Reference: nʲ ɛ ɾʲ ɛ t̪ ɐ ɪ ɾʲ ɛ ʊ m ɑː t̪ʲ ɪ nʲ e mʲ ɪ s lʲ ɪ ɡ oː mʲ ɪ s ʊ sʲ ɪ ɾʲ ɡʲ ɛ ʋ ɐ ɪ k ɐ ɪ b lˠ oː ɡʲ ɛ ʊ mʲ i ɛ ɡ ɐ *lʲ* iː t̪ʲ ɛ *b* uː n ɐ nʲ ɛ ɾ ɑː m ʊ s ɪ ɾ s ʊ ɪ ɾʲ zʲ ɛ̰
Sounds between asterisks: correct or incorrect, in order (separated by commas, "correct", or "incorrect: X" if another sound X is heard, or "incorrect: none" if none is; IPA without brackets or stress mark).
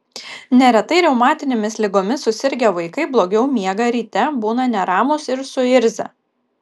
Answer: incorrect: ɾʲ, correct